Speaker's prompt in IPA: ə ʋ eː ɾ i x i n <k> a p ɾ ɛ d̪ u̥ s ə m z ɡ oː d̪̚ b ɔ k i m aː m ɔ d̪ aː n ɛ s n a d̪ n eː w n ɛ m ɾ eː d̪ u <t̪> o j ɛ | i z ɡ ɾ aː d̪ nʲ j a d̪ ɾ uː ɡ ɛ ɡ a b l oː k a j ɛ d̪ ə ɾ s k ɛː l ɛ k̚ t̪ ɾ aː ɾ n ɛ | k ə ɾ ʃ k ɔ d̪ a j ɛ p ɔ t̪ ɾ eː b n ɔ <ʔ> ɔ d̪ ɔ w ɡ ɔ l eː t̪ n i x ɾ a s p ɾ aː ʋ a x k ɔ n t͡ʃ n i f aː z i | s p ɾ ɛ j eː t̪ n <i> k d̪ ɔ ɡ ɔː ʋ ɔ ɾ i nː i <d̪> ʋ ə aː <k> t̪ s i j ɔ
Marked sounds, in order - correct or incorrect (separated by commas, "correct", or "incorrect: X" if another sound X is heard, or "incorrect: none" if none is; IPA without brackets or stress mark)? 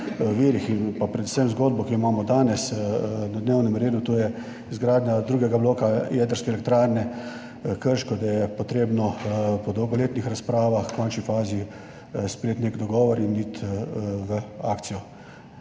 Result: incorrect: p, correct, incorrect: p, incorrect: e, incorrect: t̪, correct